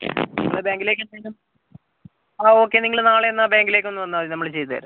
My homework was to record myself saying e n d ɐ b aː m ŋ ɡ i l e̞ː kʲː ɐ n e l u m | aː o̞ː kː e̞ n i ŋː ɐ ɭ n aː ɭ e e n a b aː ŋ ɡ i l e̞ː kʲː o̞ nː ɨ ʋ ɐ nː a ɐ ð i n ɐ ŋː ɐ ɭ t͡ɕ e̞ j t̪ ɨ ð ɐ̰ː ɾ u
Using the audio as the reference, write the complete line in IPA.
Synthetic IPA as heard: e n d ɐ b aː ŋ ɡ i l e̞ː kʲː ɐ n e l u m | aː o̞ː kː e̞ n i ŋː ɐ ɭ n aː ɭ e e nː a b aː ŋ ɡ i l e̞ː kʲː o̞ nː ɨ ʋ ɐ nː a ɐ ð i n ɐ mː ɐ ɭ t͡ɕ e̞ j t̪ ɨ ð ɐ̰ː ɾ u